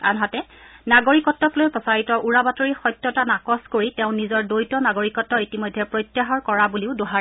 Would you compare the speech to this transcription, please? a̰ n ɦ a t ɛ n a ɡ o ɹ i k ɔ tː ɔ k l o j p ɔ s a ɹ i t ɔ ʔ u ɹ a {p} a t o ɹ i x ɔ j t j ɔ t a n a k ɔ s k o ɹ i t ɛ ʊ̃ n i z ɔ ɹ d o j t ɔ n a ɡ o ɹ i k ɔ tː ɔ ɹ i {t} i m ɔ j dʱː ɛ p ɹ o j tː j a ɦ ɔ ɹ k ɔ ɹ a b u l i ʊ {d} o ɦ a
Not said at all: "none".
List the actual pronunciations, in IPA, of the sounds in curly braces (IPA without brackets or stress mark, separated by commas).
b, t, d